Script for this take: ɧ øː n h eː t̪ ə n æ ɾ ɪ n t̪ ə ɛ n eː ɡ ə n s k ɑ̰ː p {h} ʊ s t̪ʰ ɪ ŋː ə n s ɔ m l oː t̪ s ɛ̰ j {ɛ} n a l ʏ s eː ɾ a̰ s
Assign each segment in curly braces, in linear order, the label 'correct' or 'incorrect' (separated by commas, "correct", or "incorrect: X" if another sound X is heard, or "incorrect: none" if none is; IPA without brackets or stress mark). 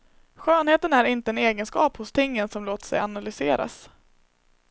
correct, incorrect: a